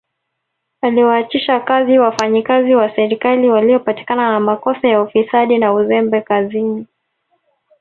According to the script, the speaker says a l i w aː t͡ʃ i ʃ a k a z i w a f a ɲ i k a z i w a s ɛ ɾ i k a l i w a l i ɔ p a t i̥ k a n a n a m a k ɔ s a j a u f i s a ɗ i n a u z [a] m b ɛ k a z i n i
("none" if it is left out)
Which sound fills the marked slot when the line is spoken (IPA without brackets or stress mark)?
ɛ